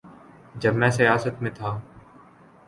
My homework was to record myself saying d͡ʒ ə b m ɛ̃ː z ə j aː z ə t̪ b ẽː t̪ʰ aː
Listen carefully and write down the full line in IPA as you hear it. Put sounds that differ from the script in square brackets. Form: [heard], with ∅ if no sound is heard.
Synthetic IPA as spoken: d͡ʒ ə b m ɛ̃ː [s] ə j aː [s] ə t̪ [m] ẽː t̪ʰ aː